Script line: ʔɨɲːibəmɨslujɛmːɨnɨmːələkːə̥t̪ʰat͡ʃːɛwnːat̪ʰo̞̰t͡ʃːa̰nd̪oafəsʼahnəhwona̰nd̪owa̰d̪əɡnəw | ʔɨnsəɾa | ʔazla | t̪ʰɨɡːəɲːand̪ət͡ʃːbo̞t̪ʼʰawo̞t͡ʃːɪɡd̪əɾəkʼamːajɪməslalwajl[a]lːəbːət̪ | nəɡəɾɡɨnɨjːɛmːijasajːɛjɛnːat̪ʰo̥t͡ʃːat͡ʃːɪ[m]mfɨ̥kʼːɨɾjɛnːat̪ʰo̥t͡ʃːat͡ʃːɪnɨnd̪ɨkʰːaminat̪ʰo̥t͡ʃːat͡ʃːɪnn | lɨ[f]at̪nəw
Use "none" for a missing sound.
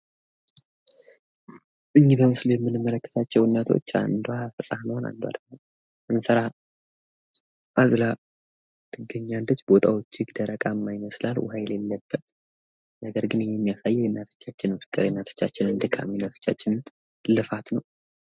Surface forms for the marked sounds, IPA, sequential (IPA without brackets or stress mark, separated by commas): e, n, f